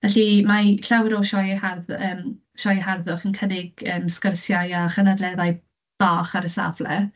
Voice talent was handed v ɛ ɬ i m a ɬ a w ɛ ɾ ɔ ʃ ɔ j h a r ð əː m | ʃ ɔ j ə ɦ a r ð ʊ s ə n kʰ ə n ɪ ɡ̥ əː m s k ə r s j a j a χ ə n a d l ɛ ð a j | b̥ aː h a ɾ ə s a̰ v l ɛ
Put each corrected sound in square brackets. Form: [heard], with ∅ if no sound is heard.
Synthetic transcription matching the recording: v ɛ ɬ i m a ɬ a w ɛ ɾ ɔ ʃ ɔ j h a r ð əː m | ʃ ɔ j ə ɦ a r ð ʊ [χ] ə n kʰ ə n ɪ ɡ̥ əː m s k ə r s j a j a χ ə n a d l ɛ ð a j | b̥ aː [χ] a ɾ ə s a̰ v l ɛ